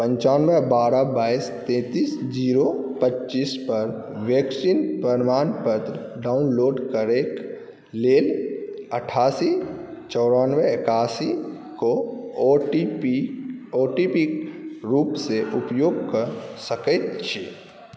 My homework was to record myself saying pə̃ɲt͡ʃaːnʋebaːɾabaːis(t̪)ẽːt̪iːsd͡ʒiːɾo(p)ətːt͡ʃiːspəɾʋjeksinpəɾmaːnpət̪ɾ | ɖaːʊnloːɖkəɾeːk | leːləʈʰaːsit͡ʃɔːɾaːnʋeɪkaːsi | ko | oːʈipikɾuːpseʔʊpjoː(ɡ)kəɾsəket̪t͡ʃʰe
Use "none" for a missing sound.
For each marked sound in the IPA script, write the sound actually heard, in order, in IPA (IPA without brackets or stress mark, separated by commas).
t̪, p, ɡ